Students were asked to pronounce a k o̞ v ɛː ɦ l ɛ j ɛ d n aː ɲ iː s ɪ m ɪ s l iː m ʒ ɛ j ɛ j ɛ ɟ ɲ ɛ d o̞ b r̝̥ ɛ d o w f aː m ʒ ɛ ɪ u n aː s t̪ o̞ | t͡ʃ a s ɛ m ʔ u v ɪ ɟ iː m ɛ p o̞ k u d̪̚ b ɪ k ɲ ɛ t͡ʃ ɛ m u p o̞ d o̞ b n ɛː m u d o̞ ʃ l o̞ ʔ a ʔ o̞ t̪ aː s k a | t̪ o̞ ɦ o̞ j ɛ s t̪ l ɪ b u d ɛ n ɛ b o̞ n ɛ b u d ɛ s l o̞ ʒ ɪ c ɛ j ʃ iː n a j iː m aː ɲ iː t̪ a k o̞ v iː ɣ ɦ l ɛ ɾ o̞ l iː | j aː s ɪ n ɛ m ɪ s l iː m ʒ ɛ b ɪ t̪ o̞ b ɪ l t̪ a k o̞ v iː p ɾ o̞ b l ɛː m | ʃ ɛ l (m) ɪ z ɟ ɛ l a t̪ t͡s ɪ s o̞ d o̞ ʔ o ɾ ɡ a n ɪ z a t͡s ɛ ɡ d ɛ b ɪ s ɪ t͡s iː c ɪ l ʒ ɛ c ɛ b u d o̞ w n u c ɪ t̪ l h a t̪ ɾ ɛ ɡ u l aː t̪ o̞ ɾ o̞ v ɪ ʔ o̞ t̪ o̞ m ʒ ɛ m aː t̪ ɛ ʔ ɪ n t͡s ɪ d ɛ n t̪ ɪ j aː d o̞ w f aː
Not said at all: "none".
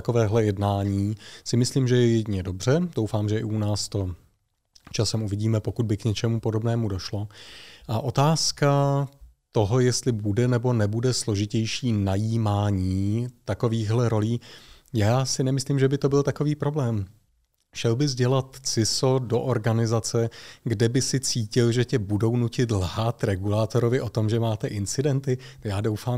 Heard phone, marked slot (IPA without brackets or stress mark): b